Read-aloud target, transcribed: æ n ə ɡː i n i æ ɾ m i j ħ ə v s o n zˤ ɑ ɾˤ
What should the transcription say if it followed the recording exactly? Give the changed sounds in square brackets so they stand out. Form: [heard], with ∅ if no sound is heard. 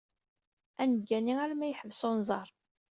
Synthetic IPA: æ n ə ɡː [æ] n i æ ɾ m [æ] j ħ ə v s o n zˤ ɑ ɾˤ